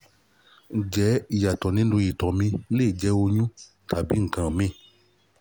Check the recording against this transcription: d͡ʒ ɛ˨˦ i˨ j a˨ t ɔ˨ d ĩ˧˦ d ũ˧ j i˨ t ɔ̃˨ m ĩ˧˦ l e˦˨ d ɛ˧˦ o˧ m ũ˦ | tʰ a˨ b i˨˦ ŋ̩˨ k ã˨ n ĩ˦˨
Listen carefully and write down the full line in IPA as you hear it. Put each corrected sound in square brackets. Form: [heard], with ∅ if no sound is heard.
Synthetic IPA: d͡ʒ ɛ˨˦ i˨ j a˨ t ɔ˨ [n] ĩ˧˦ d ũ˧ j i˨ t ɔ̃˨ m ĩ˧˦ l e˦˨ [d͡ʒ] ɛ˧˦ o˧ [ɲ] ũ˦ | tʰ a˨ b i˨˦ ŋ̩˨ k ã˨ [m] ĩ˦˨